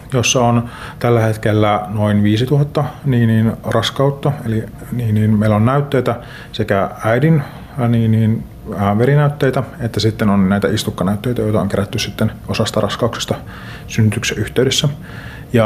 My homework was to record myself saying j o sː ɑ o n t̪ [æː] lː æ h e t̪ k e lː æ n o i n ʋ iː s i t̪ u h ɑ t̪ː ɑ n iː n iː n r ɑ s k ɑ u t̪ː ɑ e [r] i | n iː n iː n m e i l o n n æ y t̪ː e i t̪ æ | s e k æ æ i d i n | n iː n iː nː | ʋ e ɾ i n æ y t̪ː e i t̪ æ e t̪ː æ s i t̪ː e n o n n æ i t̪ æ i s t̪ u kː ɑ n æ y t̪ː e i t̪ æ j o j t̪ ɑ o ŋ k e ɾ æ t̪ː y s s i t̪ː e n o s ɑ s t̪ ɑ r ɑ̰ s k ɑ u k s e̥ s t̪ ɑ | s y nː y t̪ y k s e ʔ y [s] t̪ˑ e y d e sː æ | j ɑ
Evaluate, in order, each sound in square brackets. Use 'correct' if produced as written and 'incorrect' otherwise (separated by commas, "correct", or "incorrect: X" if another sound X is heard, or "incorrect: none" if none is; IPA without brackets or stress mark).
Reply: incorrect: æ, incorrect: l, incorrect: h